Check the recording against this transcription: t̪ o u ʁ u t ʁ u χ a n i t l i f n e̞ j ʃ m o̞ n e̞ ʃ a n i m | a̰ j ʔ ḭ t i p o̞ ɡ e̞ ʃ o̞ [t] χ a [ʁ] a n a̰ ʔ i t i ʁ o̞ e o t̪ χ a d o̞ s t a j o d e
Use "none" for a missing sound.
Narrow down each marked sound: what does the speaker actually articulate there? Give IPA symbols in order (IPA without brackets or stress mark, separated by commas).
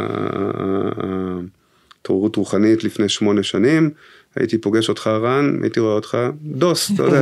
t, ʁ